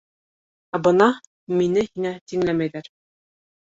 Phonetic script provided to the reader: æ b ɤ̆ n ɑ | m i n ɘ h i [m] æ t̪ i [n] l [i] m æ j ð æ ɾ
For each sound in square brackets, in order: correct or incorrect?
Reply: incorrect, incorrect, incorrect

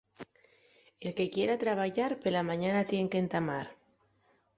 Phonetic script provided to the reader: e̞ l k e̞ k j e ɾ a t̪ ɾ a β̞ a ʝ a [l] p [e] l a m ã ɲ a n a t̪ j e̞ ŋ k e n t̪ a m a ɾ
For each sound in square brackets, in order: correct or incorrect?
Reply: incorrect, correct

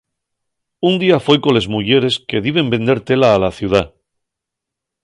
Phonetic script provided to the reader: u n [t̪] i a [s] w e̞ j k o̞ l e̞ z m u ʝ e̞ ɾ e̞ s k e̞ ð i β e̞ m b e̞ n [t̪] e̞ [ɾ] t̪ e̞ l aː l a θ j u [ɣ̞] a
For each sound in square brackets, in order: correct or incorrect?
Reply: incorrect, incorrect, incorrect, correct, incorrect

